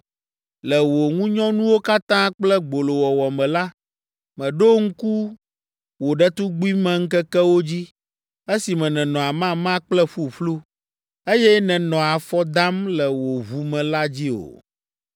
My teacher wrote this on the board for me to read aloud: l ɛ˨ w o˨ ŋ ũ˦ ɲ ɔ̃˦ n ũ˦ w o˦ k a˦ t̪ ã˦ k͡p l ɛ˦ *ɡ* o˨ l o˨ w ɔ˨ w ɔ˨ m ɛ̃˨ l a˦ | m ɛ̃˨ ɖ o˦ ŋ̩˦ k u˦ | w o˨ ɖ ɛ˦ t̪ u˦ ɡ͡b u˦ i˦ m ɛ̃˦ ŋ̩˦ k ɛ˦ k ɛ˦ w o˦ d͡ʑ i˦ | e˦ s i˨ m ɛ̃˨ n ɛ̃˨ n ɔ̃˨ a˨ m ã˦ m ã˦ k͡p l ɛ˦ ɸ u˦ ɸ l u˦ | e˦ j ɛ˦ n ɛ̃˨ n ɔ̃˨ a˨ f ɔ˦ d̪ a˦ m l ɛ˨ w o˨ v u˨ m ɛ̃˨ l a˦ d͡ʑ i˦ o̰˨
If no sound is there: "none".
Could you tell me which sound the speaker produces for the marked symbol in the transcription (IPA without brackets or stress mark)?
ɡ͡b